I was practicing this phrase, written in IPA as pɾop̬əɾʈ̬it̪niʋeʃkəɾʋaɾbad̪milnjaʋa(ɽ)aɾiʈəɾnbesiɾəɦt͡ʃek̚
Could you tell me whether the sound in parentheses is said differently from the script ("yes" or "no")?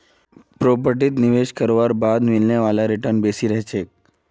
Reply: yes